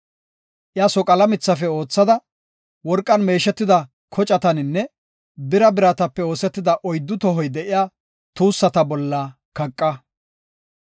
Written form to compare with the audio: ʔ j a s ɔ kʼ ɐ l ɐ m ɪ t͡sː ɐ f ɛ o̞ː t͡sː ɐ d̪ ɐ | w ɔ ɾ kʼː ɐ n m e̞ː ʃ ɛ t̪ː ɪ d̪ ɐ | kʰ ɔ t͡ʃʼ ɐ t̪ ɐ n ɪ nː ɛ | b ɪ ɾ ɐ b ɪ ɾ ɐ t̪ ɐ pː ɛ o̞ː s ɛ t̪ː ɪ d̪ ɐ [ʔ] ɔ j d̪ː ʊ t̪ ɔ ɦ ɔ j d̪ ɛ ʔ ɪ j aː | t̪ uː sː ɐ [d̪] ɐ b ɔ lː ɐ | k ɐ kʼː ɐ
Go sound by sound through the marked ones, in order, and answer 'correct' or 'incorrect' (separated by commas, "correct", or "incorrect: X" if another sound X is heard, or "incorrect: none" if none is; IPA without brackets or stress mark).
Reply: correct, incorrect: t̪